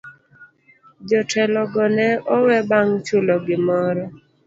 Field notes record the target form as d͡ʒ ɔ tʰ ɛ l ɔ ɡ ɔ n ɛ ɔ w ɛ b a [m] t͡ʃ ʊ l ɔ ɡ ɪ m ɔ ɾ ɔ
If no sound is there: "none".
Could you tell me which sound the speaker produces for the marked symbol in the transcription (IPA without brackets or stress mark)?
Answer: ŋ